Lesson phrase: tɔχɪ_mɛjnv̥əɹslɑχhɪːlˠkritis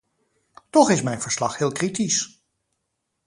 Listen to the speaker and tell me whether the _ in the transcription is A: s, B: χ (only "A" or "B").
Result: A